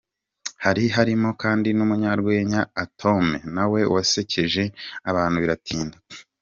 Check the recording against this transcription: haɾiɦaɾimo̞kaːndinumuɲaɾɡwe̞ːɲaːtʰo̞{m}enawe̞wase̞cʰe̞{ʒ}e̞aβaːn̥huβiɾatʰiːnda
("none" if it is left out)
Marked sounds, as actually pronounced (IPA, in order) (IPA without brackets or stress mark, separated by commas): m, ʒ